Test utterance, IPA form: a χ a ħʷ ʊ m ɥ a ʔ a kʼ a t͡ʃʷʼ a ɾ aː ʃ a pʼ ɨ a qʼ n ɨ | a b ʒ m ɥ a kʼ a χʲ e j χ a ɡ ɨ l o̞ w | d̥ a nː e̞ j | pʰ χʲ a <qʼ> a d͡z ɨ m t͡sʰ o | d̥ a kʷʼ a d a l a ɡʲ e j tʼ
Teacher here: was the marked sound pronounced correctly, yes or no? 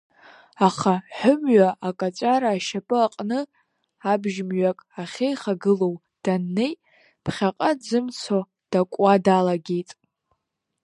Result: yes